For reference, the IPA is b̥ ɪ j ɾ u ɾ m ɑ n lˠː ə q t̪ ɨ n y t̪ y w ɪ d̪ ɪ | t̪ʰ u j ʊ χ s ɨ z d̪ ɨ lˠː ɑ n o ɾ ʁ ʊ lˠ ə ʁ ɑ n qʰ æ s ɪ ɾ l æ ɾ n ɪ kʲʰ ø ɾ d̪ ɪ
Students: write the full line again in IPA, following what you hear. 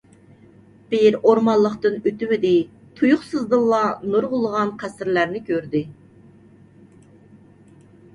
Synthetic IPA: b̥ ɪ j ɾ o ɾ m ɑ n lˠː ə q t̪ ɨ n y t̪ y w ɪ d̪ ɪ | t̪ʰ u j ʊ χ s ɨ z d̪ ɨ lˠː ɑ n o ɾ ʁ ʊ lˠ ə ʁ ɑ n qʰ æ s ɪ ɾ l æ ɾ n ɪ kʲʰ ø ɾ d̪ ɪ